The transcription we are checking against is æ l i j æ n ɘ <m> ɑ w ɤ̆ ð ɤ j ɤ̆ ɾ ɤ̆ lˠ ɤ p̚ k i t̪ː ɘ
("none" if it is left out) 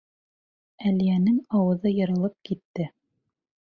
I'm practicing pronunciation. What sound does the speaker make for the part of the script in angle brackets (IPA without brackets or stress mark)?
ŋ